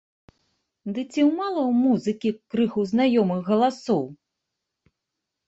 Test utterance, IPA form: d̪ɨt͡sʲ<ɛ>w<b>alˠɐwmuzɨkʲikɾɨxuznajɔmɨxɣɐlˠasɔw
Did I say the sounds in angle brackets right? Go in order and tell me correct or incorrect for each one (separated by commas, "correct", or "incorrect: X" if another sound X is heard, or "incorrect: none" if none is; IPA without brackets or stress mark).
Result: incorrect: i, incorrect: m